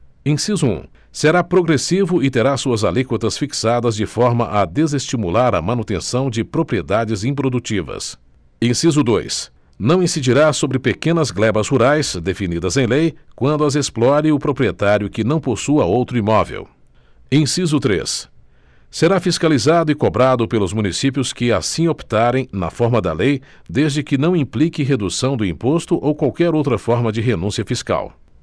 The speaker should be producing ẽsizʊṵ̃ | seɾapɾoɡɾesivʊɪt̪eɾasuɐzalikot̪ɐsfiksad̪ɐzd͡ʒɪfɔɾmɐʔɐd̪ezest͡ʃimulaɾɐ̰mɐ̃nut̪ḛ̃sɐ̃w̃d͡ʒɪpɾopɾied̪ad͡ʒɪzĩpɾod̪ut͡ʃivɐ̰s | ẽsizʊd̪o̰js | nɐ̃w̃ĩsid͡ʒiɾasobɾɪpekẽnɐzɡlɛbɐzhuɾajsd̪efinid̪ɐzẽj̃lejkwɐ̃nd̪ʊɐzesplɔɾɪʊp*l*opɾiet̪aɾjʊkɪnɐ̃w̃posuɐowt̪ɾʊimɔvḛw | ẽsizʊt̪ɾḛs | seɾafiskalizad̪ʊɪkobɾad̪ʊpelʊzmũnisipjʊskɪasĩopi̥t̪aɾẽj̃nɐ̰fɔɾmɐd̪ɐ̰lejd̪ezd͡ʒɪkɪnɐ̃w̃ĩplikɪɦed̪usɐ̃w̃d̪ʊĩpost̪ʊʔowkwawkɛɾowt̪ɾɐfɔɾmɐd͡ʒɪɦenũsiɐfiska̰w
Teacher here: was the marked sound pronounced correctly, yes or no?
no